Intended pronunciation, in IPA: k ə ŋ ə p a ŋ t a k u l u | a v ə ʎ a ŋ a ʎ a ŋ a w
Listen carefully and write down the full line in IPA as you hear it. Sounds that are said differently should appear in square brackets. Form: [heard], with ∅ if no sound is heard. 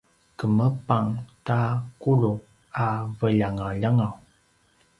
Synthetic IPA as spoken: k ə [m] ə p a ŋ t a k u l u | a v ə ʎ a ŋ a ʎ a ŋ a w